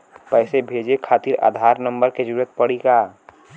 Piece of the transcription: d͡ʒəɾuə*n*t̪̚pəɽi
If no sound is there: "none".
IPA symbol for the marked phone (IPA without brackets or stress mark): none